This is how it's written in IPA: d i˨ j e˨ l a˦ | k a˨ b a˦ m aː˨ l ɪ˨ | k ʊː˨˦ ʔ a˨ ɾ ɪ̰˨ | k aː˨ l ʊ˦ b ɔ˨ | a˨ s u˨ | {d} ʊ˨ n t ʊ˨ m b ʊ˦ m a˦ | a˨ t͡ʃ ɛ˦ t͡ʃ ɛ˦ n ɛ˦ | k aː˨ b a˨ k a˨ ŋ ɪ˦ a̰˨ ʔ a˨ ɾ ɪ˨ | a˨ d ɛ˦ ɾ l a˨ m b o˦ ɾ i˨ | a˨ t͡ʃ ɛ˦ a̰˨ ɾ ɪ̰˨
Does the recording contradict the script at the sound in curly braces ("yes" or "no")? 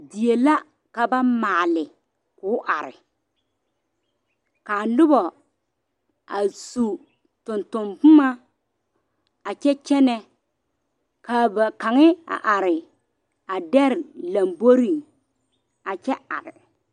yes